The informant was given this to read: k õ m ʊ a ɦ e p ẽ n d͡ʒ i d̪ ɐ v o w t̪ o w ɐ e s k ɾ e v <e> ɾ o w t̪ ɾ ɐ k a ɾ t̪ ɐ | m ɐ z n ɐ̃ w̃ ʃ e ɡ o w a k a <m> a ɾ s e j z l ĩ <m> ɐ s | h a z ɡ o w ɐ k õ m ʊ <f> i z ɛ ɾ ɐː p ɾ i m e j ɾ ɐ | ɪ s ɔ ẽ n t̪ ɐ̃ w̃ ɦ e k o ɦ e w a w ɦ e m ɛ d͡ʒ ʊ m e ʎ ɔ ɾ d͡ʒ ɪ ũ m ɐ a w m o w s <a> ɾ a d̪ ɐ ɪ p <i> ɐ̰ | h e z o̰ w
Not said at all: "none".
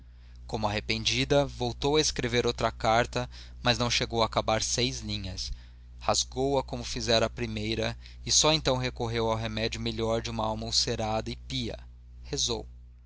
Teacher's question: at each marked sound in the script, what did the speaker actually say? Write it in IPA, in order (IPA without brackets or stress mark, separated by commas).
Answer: e, b, ɲ, f, e, i